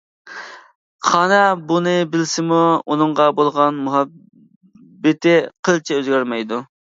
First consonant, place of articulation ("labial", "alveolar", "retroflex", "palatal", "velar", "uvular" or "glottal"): uvular